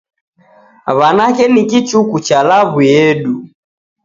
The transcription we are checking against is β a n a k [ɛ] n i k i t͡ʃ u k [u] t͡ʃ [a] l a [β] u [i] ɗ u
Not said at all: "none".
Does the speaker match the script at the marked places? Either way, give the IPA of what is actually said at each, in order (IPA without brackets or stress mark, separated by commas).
ɛ, u, a, β, ɛ